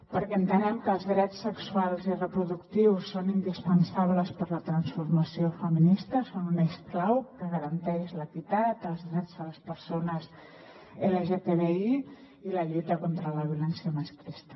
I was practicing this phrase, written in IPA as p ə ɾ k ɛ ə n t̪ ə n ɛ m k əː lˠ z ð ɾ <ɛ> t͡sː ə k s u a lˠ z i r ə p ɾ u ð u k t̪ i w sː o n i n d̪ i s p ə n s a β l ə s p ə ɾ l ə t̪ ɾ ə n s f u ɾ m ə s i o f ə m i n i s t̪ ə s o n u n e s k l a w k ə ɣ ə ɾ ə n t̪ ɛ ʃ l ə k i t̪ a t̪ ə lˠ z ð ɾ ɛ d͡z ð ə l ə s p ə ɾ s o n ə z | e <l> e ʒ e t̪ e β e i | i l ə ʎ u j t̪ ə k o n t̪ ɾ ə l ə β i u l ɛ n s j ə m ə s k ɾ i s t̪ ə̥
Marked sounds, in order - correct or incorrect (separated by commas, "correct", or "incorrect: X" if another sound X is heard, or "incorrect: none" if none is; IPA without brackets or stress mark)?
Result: correct, correct